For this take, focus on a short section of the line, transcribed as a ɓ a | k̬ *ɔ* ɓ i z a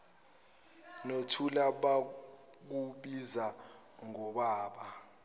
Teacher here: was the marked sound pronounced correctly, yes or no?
no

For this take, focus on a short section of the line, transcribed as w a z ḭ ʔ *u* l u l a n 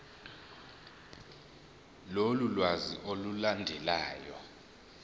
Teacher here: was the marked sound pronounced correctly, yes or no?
no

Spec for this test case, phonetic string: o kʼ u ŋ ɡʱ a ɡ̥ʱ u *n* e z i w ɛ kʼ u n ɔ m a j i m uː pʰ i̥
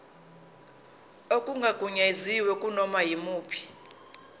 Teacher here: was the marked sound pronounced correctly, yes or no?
no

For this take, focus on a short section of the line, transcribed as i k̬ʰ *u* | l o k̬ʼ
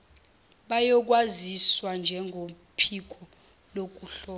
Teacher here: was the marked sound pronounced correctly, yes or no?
no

